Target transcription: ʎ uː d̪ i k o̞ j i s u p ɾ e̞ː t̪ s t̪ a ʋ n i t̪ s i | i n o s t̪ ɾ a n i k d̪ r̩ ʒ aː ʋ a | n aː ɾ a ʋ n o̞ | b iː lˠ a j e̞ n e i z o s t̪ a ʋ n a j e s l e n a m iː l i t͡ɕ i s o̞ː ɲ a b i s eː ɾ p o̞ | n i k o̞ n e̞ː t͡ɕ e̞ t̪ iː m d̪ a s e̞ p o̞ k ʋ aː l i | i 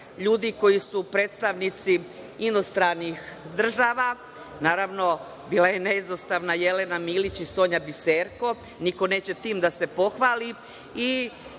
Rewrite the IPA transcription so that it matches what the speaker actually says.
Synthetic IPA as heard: ʎ uː d̪ i k o̞ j i s u p ɾ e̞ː t̪ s t̪ a ʋ n i t̪ s i | i n o s t̪ ɾ a n i x d̪ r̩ ʒ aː ʋ a | n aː ɾ a ʋ n o̞ | b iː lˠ a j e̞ n e i z o s t̪ a ʋ n a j e l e n a m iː l i t͡ɕ i s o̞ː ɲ a b i s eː ɾ k o̞ | n i k o̞ n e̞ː t͡ɕ e̞ t̪ iː m d̪ a s e̞ p o̞ x ʋ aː l i | i